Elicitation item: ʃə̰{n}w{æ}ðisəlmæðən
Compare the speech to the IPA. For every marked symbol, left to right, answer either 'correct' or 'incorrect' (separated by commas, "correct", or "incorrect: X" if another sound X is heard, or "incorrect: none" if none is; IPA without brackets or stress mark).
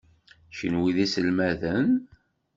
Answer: correct, incorrect: i